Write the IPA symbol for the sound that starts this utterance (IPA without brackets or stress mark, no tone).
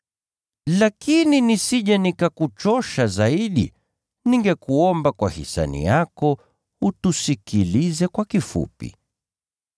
l